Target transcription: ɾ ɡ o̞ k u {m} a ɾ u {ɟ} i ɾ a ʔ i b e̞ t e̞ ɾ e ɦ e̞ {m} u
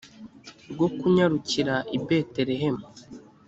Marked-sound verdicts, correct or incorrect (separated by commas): incorrect, incorrect, correct